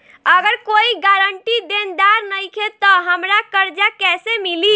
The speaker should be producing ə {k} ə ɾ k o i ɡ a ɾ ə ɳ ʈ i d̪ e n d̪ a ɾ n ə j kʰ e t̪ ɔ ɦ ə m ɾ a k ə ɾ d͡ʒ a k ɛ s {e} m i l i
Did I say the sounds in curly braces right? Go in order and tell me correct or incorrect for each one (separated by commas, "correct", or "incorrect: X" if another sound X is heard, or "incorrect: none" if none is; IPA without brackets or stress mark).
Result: incorrect: ɡ, correct